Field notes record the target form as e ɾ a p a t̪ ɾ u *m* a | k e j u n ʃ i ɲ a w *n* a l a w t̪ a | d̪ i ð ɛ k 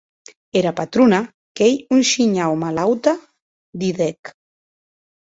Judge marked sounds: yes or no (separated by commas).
no, no